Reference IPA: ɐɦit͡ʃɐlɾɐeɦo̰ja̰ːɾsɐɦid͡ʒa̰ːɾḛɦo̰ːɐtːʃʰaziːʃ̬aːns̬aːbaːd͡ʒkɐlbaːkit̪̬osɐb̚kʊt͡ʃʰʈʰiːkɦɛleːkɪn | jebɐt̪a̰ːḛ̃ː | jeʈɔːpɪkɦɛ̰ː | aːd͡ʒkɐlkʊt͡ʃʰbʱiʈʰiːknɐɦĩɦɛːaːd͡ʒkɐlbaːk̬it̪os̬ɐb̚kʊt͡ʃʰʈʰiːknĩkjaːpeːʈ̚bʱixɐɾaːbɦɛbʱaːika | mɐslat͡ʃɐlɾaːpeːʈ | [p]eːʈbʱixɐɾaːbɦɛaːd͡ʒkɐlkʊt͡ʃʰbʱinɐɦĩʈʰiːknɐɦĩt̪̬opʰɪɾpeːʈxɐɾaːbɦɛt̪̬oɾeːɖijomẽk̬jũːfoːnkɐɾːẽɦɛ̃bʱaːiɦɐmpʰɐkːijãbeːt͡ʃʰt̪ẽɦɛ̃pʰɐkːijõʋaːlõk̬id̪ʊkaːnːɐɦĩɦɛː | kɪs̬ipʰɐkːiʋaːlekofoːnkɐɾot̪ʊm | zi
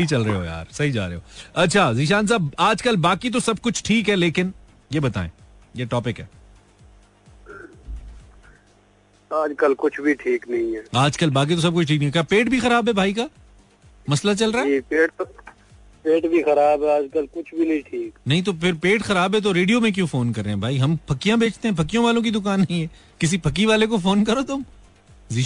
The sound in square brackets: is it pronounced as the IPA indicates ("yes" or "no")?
yes